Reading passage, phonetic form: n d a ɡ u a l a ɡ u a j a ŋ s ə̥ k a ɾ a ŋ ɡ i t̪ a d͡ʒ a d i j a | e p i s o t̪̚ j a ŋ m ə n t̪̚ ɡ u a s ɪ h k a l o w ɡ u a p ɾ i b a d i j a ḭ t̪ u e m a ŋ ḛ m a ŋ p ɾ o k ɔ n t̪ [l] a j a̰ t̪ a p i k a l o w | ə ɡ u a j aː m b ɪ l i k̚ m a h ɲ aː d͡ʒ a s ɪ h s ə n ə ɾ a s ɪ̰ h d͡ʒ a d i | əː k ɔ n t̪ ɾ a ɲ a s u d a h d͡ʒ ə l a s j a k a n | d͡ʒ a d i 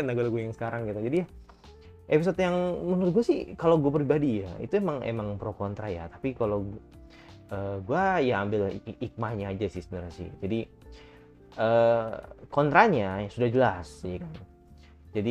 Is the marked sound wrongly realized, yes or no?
yes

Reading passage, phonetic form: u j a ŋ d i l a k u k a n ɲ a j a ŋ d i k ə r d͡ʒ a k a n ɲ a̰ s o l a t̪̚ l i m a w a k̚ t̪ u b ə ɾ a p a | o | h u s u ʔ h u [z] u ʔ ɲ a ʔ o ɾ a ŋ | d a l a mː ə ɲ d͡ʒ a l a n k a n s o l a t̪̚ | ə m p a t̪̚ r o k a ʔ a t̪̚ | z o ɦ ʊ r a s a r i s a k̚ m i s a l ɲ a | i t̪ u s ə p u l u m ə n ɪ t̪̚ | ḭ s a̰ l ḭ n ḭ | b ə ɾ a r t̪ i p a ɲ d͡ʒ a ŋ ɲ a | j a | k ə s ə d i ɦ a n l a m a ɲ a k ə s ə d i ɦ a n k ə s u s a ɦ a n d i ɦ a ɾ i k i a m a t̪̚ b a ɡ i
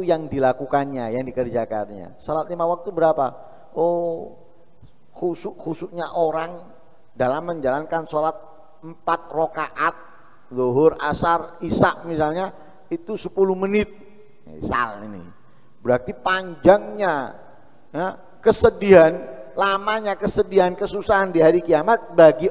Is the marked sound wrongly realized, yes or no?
yes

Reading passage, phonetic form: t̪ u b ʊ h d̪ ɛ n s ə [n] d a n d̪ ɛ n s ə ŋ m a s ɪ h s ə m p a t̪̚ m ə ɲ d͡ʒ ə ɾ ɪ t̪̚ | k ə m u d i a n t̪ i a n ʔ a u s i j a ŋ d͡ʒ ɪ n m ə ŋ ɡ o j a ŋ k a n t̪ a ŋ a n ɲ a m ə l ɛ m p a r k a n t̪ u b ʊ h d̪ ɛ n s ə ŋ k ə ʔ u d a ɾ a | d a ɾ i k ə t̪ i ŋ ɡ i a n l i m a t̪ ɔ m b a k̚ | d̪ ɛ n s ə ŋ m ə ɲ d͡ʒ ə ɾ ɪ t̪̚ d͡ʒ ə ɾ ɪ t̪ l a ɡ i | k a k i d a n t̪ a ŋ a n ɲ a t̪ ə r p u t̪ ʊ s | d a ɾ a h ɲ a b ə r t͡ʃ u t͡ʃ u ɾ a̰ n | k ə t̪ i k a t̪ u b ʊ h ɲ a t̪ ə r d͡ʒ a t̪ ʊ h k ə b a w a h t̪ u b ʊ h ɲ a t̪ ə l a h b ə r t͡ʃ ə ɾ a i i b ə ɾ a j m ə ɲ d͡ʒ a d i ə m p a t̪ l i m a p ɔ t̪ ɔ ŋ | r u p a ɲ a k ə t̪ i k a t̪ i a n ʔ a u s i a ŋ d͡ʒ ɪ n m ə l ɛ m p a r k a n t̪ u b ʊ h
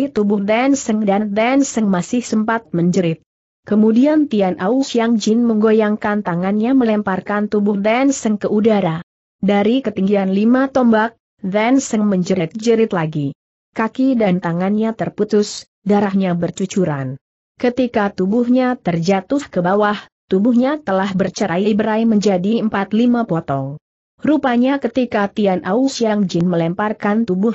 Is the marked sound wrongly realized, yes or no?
yes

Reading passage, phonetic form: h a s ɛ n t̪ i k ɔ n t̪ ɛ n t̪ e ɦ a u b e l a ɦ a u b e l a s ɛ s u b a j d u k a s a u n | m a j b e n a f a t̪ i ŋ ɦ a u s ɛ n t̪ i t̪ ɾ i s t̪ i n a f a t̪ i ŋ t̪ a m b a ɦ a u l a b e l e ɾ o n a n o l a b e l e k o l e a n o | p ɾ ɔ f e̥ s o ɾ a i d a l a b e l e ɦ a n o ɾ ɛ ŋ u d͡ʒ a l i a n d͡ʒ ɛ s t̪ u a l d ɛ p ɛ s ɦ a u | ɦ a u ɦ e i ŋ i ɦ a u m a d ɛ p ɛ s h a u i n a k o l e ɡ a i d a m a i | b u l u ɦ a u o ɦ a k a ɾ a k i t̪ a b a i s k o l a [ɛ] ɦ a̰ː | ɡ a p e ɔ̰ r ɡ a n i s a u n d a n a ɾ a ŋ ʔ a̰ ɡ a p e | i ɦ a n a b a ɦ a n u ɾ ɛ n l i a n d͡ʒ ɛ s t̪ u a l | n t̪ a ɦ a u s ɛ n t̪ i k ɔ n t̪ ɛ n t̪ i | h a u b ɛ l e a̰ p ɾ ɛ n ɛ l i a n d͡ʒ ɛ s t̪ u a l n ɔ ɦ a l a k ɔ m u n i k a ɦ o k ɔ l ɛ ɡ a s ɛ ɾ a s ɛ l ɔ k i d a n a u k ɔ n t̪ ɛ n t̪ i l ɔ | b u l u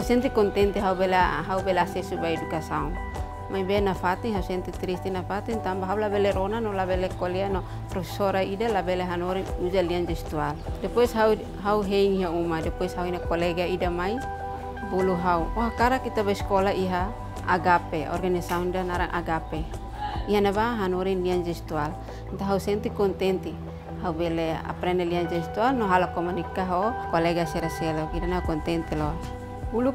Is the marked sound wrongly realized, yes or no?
yes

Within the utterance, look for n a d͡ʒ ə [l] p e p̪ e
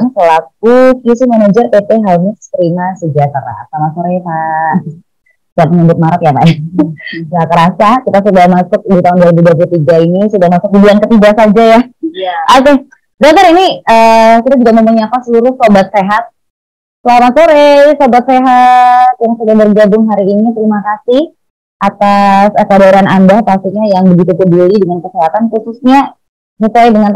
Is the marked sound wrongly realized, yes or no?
yes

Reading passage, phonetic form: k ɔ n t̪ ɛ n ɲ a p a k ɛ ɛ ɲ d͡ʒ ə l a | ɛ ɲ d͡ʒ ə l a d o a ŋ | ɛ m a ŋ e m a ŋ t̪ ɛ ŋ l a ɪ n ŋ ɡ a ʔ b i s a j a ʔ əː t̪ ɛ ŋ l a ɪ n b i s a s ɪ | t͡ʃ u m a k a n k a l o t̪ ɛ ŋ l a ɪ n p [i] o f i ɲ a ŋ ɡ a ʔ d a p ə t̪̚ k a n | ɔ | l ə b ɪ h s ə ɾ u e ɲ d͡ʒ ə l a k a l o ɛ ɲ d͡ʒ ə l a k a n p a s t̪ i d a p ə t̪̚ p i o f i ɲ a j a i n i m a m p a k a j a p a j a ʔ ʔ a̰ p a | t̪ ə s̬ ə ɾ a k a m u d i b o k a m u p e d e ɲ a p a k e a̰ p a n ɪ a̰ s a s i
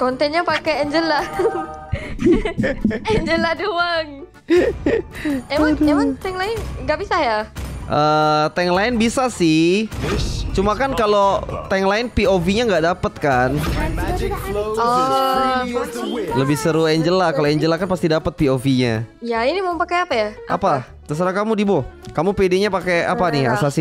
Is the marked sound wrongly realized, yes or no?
no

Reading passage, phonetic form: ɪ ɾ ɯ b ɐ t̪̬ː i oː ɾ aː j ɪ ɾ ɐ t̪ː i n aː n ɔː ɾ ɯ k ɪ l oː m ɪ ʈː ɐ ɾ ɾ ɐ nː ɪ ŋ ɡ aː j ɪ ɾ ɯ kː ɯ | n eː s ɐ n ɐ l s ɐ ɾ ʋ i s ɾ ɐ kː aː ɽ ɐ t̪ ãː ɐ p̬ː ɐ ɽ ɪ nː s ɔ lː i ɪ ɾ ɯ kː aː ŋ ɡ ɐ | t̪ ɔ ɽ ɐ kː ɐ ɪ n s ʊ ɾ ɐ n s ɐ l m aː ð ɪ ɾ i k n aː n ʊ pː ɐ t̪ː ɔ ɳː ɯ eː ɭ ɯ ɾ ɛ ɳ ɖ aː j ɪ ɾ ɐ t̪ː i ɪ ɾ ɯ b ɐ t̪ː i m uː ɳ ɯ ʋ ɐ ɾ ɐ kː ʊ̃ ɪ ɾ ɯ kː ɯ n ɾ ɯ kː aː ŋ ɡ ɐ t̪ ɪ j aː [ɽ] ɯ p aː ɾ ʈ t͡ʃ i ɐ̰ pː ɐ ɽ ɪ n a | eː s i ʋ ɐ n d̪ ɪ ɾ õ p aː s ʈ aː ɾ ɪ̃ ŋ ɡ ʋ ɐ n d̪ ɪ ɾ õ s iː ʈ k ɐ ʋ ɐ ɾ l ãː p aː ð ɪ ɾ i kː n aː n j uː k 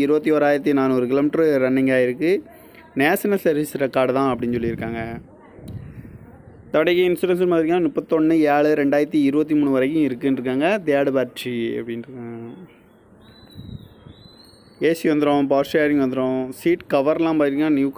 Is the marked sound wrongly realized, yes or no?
no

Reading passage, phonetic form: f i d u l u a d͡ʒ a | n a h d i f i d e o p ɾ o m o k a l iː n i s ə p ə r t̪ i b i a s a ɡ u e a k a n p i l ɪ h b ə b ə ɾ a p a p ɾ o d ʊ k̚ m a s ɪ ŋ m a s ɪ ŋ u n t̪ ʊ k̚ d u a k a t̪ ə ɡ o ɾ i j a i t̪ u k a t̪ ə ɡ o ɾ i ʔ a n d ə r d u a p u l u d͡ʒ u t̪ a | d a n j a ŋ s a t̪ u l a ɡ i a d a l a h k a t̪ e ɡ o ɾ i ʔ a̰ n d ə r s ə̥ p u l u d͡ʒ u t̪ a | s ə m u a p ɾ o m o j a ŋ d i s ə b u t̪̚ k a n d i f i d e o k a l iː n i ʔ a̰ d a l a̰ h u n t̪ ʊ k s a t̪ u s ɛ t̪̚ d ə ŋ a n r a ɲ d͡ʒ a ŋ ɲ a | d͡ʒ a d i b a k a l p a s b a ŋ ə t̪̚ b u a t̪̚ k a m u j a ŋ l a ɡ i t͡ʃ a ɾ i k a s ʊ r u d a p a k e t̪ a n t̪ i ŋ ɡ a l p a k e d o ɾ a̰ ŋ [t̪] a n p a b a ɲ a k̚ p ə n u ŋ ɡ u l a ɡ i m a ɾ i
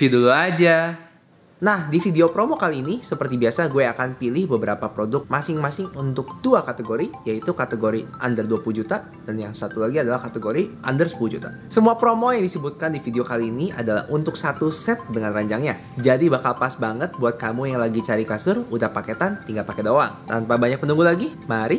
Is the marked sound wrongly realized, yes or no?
no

